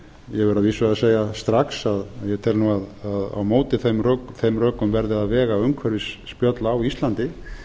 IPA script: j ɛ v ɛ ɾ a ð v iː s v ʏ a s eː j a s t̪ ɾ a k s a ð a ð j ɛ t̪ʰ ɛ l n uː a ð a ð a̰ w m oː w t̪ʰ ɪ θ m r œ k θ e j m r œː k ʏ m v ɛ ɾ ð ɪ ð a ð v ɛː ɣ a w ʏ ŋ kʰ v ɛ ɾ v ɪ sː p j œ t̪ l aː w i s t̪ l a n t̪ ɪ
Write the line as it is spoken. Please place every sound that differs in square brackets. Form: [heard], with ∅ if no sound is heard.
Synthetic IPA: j ɛ v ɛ ɾ a ð v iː s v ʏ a s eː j a s t̪ ɾ a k s a ð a ð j ɛ t̪ʰ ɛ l n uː a ð a ð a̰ w m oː w [t̪] ɪ θ m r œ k θ e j m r œː k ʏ m v ɛ ɾ ð ɪ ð a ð v ɛː ɣ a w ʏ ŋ kʰ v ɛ ɾ v ɪ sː p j œ t̪ l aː w i s t̪ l a n t̪ ɪ

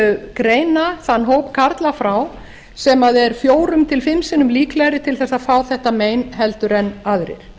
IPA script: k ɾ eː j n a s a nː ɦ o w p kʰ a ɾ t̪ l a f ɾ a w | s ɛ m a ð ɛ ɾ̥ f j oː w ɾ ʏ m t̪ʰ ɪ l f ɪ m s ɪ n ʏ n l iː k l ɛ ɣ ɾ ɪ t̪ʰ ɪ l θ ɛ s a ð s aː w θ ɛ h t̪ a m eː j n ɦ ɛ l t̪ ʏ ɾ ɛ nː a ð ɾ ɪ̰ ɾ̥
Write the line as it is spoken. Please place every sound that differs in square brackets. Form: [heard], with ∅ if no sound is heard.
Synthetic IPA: k ɾ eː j n a [θ] a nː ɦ o w p kʰ a ɾ t̪ l a f ɾ a w | s ɛ m a ð ɛ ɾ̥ f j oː w ɾ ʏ m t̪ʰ ɪ l f ɪ m s ɪ n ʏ [m] l iː k l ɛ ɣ ɾ ɪ t̪ʰ ɪ l θ ɛ s a ð [f] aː w θ ɛ h t̪ a m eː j n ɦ ɛ l t̪ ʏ ɾ ɛ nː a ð ɾ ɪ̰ ɾ̥

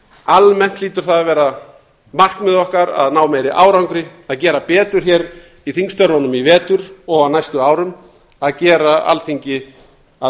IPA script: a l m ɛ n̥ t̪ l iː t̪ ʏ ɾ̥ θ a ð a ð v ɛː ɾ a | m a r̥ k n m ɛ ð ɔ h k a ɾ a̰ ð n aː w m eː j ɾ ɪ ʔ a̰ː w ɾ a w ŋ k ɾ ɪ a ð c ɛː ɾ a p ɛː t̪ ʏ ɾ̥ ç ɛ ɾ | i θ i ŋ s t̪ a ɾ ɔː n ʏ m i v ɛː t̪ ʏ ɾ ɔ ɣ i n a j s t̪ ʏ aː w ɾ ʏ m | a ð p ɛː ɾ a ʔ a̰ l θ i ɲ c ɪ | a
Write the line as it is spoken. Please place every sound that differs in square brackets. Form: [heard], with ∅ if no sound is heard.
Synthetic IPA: a l m ɛ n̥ t̪ l iː t̪ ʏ ɾ̥ θ a ð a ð v ɛː ɾ a | m a r̥ k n m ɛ ð ɔ h k a ɾ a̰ ð n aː w m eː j ɾ ɪ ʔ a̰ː w ɾ a w ŋ k ɾ ɪ a ð c ɛː ɾ a p ɛː t̪ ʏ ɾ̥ ç ɛ ɾ | i θ i ŋ s t̪ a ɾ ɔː n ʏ m i v ɛː t̪ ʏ ɾ ɔ ɣ [a] n a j s t̪ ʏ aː w ɾ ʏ m | a ð [c] ɛː ɾ a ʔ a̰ l θ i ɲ c ɪ | a

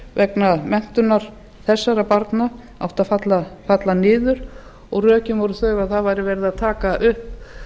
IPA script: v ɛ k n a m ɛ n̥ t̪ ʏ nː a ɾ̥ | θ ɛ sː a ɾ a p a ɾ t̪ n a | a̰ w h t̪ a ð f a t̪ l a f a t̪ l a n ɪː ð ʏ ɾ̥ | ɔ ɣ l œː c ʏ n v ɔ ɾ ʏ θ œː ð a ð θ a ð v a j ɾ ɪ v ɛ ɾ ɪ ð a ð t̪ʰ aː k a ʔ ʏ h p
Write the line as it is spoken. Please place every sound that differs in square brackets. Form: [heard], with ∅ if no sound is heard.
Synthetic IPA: v ɛ k n a m ɛ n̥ t̪ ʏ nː a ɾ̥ | θ ɛ sː a ɾ a p a ɾ t̪ n a | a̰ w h t̪ a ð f a t̪ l a f a t̪ l a n ɪː ð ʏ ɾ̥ | ɔ ɣ [r] œː c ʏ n v ɔ ɾ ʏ θ œː [ɣ] a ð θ a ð v a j ɾ ɪ v ɛ ɾ ɪ ð a ð t̪ʰ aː k a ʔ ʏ h p

